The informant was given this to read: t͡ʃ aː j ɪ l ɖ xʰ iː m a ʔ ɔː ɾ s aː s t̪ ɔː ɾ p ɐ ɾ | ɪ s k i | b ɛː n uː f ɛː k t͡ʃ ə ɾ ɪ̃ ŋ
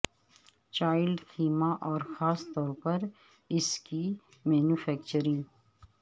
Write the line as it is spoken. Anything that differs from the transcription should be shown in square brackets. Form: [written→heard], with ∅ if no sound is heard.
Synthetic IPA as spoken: t͡ʃ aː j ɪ l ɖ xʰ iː m a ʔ ɔː ɾ [s→x] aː s t̪ ɔː ɾ p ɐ ɾ | ɪ s k i | [b→m] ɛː n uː f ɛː k t͡ʃ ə ɾ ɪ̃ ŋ